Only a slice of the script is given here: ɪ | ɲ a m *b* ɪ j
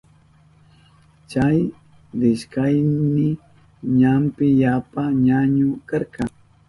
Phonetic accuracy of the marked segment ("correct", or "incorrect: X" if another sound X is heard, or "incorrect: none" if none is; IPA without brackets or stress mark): incorrect: p